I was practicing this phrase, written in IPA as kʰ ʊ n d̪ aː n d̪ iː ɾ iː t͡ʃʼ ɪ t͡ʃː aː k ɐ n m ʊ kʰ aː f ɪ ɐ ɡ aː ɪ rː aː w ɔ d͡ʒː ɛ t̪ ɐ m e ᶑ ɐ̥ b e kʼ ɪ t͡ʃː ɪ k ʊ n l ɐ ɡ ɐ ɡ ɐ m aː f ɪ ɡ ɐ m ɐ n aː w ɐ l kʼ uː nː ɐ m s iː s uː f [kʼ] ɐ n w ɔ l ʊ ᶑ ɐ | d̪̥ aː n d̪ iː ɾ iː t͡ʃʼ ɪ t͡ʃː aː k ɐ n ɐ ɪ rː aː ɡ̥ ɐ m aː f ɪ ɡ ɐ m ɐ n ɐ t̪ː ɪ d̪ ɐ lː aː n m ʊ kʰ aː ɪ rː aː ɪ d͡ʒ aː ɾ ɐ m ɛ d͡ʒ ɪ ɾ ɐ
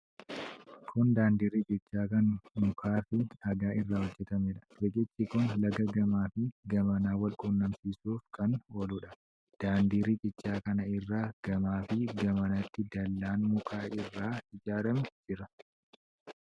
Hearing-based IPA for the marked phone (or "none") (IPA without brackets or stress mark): k